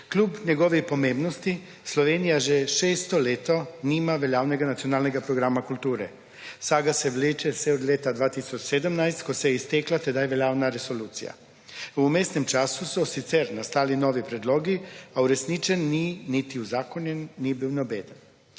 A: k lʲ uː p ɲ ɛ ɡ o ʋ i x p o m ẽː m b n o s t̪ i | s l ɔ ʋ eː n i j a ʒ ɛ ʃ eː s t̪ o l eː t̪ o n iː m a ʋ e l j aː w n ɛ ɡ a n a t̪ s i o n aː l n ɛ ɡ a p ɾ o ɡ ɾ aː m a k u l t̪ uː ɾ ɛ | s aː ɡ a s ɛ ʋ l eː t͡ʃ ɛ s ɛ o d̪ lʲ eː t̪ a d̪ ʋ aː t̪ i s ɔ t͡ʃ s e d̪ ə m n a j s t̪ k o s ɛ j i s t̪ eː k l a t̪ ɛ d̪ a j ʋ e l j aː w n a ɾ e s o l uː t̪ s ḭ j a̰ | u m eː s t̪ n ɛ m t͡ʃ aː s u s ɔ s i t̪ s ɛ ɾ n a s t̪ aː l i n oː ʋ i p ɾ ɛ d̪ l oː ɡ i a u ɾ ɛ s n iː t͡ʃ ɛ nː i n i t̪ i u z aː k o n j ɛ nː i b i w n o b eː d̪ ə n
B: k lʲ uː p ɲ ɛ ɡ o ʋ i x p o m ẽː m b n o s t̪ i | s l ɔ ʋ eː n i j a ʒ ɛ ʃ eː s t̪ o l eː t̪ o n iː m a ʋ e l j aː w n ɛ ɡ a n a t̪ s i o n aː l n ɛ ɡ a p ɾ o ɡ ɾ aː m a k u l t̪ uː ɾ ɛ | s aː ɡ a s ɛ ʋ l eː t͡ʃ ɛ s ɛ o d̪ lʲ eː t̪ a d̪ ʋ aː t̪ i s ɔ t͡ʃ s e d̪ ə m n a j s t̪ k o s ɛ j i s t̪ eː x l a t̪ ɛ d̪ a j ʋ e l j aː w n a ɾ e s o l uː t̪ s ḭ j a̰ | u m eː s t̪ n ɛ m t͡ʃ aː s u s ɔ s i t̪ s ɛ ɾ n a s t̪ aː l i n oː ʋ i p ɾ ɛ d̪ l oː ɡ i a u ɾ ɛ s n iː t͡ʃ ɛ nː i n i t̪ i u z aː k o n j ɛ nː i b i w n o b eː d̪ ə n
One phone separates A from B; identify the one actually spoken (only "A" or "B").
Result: A